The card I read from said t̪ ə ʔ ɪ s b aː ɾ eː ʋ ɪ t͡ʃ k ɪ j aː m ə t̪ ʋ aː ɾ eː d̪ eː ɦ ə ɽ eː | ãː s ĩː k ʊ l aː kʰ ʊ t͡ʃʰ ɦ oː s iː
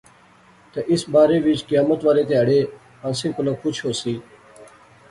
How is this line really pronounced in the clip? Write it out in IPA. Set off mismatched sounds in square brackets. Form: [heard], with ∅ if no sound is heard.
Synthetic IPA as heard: t̪ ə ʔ ɪ s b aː ɾ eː ʋ ɪ t͡ʃ k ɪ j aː m ə t̪ ʋ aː ɾ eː [t̪] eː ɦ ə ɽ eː | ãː s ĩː k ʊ l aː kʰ ʊ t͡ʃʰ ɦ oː s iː